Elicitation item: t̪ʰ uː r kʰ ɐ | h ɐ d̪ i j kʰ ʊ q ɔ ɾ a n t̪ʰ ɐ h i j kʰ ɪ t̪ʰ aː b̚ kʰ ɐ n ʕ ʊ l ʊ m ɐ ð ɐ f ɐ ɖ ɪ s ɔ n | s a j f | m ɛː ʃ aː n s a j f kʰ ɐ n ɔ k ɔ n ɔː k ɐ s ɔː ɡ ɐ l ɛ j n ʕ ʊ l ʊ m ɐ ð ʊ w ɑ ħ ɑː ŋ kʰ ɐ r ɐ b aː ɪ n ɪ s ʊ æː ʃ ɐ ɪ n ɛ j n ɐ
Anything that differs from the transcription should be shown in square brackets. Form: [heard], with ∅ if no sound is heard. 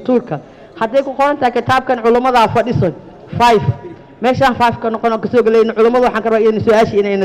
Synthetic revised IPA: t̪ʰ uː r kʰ ɐ | h ɐ d̪ [ɛ] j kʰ ʊ q ɔ ɾ [ɐ] n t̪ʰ ɐ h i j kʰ ɪ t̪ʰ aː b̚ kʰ ɐ n ʕ ʊ l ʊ m ɐ ð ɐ f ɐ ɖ ɪ s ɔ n | [f] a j f | m ɛː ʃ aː n [f] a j f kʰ ɐ n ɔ [q] ɔ n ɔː k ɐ s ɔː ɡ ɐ l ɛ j n ʕ ʊ l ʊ m ɐ ð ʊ w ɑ ħ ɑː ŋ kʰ ɐ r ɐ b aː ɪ n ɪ s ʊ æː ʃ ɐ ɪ n ɛ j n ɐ